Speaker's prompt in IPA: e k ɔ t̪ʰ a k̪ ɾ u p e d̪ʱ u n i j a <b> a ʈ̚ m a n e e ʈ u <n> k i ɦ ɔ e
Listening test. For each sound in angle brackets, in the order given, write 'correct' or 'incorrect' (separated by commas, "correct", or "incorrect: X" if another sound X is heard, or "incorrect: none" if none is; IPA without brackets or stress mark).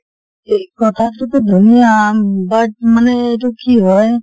correct, incorrect: none